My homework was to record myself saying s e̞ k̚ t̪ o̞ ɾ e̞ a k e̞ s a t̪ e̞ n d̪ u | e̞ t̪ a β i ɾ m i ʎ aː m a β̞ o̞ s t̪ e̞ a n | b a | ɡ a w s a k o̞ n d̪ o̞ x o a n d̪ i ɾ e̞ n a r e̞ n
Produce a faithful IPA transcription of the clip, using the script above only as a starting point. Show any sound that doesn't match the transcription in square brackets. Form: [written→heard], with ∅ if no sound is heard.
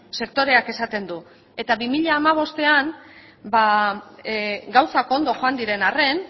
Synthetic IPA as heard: s e̞ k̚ t̪ o̞ ɾ e̞ a k e̞ s a t̪ e̞ n d̪ u | e̞ t̪ a β i [ɾ→∅] m i ʎ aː m a β̞ o̞ s t̪ e̞ a n | b a | ɡ a w s a k o̞ n d̪ o̞ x o a n d̪ i ɾ e̞ n a r e̞ n